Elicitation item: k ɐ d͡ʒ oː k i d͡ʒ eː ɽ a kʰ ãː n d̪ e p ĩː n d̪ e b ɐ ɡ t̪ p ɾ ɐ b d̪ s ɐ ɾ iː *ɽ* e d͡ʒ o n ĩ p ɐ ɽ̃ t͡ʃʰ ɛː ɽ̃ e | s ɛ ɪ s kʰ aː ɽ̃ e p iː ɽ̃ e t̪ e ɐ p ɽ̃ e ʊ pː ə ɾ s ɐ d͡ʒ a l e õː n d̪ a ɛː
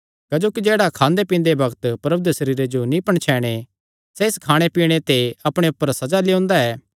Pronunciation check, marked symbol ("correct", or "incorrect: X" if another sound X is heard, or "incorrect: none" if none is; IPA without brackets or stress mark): incorrect: ɾ